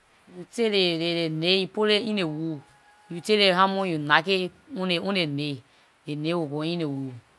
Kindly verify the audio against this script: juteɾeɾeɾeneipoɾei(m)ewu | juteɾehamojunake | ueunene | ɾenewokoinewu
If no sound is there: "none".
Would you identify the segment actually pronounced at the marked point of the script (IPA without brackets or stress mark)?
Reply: n